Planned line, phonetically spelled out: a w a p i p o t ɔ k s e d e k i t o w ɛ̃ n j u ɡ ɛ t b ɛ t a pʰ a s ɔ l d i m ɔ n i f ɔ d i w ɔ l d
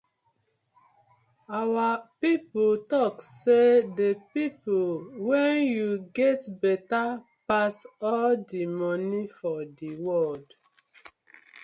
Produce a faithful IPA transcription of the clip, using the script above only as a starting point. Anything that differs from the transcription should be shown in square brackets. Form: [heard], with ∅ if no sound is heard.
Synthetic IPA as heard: a w a p i p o t ɔ k s e d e [p] i [p] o w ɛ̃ n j u ɡ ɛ t b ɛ t a [p] a s ɔ l d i m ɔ n i f ɔ d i w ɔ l d